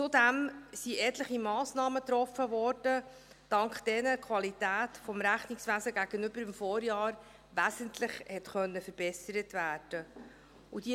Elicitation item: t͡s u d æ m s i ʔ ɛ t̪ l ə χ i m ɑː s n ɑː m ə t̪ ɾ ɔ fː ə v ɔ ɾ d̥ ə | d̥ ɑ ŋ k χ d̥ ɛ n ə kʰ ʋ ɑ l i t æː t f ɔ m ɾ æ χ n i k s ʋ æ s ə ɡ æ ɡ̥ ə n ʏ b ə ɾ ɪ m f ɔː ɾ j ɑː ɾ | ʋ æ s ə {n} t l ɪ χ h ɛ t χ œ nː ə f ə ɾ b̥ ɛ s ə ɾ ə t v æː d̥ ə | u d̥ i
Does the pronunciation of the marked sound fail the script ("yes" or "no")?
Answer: no